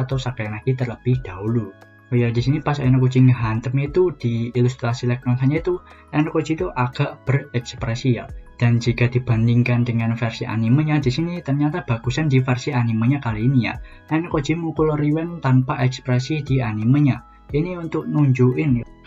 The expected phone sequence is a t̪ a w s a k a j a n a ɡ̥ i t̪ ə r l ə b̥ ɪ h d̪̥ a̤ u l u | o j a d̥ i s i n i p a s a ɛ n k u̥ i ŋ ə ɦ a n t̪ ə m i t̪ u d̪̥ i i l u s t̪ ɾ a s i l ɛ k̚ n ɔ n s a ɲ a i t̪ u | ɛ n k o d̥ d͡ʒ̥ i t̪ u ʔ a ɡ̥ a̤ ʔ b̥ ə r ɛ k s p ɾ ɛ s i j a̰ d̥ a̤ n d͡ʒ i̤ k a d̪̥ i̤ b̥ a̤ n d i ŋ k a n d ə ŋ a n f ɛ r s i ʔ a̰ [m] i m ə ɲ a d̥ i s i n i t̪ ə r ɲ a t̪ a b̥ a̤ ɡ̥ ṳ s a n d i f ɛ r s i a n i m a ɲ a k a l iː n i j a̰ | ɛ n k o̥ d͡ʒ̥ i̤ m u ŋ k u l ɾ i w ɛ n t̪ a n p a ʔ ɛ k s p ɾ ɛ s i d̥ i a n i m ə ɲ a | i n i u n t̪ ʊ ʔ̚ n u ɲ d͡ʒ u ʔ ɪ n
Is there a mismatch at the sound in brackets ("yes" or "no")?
yes